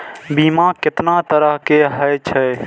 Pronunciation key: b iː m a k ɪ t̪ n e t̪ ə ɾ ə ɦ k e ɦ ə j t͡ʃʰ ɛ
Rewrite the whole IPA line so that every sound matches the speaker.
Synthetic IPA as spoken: b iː m a k ɪ t̪ n a t̪ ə ɾ ə ɦ k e ɦ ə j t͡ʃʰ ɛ